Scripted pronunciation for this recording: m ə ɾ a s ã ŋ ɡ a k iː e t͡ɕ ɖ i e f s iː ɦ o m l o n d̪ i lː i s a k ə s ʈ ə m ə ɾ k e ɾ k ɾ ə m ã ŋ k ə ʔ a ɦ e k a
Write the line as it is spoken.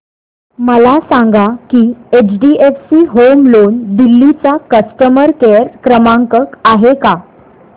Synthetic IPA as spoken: m ə l a s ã ŋ ɡ a k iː e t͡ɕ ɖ i e f s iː ɦ o m l o n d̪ i lː i t͡s a k ə s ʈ ə m ə ɾ k e ɾ k ɾ ə m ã ŋ k ə k a ɦ e k a